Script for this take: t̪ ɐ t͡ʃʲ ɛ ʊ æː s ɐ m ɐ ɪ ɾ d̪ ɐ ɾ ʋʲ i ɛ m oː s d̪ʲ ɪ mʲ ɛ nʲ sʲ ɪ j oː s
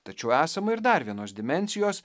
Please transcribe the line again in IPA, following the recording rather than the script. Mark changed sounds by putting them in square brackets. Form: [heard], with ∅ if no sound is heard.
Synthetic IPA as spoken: t̪ ɐ t͡ʃʲ ɛ ʊ æː s ɐ m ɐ ɪ ɾ d̪ ɐ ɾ ʋʲ i ɛ [n] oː s d̪ʲ ɪ mʲ ɛ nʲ sʲ ɪ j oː s

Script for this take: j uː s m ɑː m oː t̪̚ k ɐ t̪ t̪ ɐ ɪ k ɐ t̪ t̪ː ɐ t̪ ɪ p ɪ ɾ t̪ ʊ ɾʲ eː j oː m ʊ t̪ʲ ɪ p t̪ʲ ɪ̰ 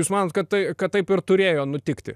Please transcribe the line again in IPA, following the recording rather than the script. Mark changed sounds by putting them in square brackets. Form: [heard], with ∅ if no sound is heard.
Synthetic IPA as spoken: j uː s m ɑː [n] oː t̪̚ k ɐ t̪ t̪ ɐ ɪ k ɐ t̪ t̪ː ɐ [∅] ɪ p ɪ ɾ t̪ ʊ ɾʲ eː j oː [n] ʊ t̪ʲ ɪ [k] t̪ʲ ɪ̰

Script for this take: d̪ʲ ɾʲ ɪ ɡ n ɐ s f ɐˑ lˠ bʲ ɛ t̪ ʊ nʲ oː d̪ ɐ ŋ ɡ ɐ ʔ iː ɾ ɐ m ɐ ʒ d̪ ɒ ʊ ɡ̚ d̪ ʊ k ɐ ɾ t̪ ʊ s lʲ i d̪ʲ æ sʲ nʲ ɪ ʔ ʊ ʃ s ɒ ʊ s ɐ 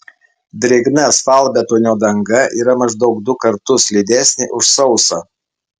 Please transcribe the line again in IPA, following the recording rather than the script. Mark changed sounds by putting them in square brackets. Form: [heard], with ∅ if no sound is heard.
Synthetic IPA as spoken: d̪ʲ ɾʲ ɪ ɡ n ɐ s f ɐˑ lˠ bʲ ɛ t̪ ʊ nʲ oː d̪ ɐ ŋ ɡ ɐ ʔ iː ɾ ɐ m ɐ ʒ d̪ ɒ ʊ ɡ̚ d̪ ʊ k ɐ ɾ t̪ ʊ s lʲ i d̪ʲ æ sʲ nʲ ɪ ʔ ʊ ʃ s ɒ ʊ s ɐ

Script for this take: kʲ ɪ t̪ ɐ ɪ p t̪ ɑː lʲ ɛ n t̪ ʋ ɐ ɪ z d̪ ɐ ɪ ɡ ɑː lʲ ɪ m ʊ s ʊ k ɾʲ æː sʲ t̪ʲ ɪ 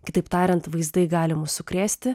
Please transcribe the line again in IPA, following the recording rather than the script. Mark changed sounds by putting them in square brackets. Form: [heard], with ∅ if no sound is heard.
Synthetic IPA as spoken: kʲ ɪ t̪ ɐ ɪ p t̪ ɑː [ɾʲ] ɛ n t̪ ʋ ɐ ɪ z d̪ ɐ ɪ ɡ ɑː lʲ ɪ m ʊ s ʊ k ɾʲ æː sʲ t̪ʲ ɪ

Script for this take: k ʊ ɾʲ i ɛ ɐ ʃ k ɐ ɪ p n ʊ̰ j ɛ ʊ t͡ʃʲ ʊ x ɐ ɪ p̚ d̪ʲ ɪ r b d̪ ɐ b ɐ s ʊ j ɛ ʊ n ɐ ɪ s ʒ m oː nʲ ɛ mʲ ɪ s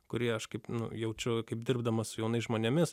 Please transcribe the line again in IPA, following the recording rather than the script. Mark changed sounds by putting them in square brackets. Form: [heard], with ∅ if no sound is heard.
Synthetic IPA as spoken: k ʊ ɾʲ i ɛ ɐ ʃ k ɐ ɪ p n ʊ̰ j ɛ ʊ t͡ʃʲ ʊ [k] ɐ ɪ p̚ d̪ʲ ɪ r b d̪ ɐ [m] ɐ s ʊ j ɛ ʊ n ɐ ɪ s ʒ m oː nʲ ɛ mʲ ɪ s

